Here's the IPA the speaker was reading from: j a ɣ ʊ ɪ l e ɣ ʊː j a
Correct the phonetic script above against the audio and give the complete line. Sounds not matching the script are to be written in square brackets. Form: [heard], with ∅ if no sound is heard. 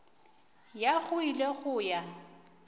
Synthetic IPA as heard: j a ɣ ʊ [i] l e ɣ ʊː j a